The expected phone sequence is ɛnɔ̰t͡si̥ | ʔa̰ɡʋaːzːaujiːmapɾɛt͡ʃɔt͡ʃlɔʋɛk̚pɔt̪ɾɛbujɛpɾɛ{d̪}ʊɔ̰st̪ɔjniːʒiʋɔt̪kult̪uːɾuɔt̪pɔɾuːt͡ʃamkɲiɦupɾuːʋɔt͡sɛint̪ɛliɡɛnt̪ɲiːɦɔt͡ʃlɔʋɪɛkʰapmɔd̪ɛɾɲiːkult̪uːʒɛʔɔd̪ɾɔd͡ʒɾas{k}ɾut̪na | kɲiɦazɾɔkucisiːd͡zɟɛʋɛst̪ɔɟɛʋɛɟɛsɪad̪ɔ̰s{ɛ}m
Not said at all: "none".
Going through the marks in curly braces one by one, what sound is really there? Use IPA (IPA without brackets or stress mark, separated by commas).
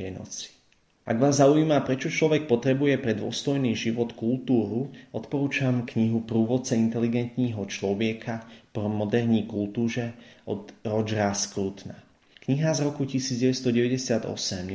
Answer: d̪, k, ɛ